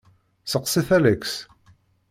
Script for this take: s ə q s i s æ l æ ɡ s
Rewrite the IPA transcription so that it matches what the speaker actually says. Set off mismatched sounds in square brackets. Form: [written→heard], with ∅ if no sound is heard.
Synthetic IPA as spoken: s ə q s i [s→θ] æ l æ [ɡ→k] s